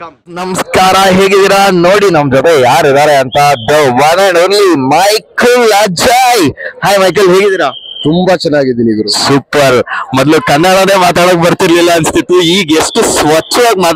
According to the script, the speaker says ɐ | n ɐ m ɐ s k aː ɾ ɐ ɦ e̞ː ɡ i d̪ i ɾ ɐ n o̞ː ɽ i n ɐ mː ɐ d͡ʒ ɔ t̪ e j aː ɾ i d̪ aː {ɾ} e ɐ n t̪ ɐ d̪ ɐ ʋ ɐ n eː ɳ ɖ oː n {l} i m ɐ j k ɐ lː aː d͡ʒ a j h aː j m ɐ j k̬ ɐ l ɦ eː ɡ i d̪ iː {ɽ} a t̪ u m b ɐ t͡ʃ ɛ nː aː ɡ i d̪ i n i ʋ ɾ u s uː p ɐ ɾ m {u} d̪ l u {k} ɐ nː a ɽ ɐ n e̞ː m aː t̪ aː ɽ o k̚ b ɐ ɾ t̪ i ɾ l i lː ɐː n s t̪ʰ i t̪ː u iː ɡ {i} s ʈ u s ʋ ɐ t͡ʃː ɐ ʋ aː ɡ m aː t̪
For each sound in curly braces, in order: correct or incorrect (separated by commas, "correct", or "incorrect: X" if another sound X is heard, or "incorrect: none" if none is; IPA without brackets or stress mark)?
correct, correct, incorrect: ɾ, incorrect: ɔ, correct, incorrect: e